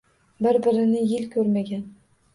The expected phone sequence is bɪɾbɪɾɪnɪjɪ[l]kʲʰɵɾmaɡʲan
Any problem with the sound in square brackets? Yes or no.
no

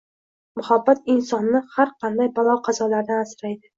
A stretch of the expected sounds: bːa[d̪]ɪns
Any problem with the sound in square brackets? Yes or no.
yes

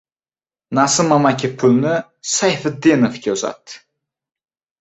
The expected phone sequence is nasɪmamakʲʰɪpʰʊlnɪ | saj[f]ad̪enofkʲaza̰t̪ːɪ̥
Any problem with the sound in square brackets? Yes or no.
no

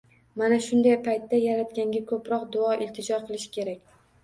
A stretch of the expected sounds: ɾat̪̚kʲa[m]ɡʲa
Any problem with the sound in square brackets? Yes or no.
yes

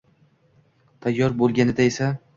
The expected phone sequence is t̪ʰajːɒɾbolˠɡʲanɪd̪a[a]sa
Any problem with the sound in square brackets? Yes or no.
yes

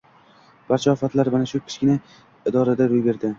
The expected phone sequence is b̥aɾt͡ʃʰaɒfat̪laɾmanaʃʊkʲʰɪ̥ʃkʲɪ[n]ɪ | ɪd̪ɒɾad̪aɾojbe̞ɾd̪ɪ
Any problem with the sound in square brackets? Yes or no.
no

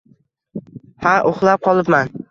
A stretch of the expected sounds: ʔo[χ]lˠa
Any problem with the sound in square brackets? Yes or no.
no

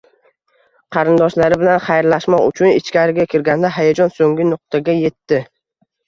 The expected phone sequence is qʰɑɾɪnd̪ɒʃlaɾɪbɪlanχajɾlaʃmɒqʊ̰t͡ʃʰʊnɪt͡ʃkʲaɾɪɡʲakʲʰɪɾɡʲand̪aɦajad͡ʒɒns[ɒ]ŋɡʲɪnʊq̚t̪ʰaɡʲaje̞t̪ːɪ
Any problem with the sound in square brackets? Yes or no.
yes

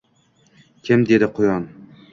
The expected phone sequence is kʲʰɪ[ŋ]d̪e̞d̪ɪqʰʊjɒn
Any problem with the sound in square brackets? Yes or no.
yes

